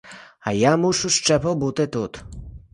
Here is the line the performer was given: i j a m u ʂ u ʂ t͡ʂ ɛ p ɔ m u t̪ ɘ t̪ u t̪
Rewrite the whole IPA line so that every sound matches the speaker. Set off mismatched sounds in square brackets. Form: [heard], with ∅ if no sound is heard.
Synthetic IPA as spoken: [a] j a m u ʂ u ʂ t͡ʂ ɛ p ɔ [b] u t̪ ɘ t̪ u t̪